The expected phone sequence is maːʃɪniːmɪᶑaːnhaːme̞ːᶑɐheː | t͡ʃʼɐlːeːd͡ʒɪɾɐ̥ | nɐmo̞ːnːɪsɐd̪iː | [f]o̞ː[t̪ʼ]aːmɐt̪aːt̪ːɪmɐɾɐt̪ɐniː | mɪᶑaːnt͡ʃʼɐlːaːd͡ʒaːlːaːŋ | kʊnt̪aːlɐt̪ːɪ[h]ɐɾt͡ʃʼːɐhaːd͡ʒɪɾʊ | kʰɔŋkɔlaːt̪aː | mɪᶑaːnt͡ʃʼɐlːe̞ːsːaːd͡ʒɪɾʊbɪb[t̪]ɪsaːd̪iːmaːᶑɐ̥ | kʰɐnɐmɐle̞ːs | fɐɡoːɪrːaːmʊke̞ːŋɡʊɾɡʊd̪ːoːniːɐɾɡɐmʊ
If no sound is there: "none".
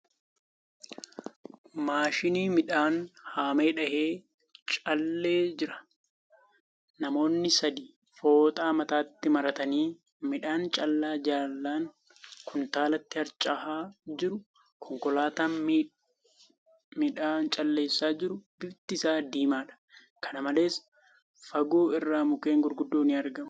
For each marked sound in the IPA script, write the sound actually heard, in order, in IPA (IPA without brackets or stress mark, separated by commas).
f, t̪ʼ, h, t̪